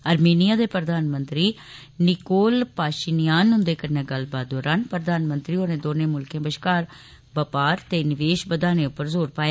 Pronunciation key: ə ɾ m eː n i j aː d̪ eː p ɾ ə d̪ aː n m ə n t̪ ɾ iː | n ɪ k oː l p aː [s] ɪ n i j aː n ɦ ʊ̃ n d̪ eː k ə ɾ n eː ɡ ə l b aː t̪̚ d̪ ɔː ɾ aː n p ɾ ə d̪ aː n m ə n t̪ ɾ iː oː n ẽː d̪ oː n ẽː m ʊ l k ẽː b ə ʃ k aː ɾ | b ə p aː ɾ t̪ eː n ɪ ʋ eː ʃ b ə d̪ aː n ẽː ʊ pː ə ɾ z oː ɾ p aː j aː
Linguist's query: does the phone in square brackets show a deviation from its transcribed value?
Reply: yes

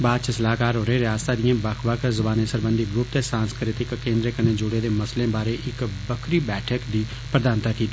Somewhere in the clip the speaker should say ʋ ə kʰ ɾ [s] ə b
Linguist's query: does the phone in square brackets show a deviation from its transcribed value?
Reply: yes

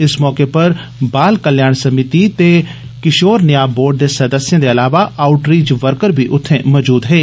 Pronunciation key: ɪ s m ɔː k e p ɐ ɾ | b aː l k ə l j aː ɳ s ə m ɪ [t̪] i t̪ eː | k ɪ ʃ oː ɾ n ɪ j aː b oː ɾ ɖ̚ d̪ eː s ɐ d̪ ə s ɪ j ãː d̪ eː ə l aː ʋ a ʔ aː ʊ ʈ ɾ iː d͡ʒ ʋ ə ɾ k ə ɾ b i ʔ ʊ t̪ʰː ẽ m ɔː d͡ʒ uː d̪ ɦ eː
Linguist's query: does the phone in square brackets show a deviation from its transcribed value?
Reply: no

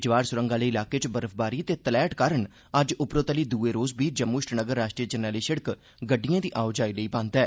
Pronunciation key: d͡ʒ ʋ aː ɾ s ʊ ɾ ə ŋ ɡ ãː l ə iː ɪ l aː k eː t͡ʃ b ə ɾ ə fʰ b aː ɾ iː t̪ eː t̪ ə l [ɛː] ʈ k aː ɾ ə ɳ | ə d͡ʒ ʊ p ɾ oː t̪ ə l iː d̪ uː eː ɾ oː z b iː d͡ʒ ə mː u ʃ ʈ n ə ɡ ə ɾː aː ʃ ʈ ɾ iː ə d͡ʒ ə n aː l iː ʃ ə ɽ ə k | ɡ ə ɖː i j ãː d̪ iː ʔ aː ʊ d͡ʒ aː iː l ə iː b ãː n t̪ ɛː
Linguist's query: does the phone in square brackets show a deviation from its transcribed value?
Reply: no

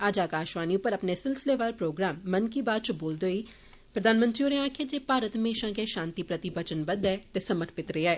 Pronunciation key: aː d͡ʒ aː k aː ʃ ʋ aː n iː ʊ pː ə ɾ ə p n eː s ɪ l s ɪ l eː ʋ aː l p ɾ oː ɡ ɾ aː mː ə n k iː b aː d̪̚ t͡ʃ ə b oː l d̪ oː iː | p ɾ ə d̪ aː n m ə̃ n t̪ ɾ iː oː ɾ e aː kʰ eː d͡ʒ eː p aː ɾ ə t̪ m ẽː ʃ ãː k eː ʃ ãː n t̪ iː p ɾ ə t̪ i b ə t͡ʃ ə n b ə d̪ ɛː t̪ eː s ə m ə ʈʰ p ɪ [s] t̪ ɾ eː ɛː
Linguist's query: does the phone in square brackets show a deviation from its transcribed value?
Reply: yes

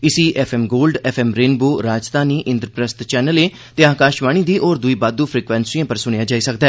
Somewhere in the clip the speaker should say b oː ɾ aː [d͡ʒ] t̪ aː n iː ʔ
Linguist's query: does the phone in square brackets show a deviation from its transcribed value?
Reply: no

